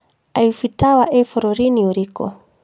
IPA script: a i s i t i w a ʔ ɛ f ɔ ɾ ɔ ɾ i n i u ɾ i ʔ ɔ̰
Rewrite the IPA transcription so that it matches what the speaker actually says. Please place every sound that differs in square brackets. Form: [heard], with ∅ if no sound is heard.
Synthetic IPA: a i [f] i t [a] w a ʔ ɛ f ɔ ɾ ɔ ɾ i n i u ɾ i [k] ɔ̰